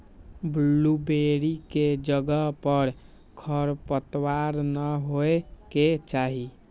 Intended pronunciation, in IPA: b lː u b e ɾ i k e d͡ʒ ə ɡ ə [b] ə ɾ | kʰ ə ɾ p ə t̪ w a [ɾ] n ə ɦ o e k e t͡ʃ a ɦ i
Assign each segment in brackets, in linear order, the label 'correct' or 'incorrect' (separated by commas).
incorrect, correct